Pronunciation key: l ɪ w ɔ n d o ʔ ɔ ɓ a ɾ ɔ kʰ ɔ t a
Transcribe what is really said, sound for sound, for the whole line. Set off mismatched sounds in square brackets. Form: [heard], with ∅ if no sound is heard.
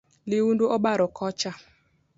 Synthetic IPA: l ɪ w [u] n d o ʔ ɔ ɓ a ɾ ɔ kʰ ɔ [t͡ʃ] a